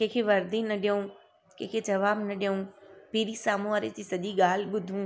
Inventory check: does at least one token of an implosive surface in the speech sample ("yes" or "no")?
yes